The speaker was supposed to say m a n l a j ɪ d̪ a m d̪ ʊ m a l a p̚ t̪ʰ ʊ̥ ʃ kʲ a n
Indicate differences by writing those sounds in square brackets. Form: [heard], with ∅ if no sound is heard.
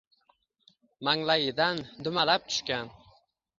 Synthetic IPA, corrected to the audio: m a [ŋ] l a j ɪ d̪ a [n] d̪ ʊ m a l a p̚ t̪ʰ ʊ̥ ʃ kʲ a n